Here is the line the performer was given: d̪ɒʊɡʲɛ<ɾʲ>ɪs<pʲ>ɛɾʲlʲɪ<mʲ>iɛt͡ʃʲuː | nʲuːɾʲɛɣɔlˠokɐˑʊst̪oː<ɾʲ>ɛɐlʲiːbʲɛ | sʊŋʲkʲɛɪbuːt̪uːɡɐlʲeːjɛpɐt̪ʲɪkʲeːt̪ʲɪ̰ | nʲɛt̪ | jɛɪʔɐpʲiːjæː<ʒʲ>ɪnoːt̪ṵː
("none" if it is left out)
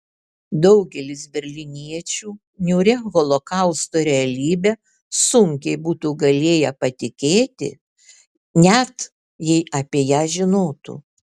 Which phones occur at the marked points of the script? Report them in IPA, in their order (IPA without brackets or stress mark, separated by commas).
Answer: lʲ, bʲ, nʲ, ɾʲ, ʒʲ